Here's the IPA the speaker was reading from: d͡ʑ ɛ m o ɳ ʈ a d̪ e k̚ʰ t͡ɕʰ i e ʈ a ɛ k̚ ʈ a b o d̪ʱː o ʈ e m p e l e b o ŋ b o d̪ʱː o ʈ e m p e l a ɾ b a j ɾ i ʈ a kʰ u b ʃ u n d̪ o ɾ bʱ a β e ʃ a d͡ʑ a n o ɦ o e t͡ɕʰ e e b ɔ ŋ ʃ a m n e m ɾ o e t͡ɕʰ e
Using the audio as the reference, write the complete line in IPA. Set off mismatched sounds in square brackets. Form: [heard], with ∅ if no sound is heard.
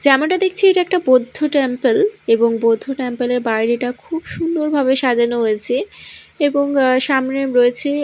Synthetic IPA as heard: d͡ʑ ɛ m o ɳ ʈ a d̪ e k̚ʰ t͡ɕʰ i e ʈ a ɛ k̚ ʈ a b o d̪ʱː o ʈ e m p e l e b o ŋ b o d̪ʱː o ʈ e m p e l [e] ɾ b a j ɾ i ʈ a kʰ u b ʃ u n d̪ o ɾ bʱ a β e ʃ a d͡ʑ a n o ɦ o e t͡ɕʰ e e b [o] ŋ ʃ a m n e m ɾ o e t͡ɕʰ e